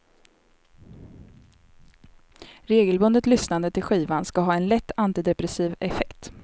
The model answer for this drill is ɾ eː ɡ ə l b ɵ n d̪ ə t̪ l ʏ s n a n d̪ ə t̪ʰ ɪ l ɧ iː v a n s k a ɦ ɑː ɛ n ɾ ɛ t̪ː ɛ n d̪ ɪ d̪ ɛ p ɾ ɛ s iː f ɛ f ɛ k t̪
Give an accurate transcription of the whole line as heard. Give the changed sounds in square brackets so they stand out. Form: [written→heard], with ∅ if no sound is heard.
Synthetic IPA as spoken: ɾ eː ɡ ə l b ɵ n d̪ ə t̪ l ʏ s n a n d̪ ə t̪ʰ ɪ l ɧ iː v a n s k a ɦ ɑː ɛ n [ɾ→l] ɛ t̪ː [ɛ→a] n [d̪→t̪] ɪ d̪ ɛ p ɾ ɛ s iː [f→v] ɛ f ɛ k t̪